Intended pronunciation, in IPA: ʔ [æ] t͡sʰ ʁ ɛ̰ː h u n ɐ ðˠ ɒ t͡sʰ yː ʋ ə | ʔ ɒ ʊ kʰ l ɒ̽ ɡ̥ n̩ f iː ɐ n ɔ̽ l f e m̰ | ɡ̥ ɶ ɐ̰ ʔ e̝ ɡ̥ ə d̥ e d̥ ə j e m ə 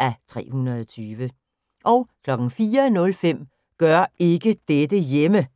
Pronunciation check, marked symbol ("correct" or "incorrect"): correct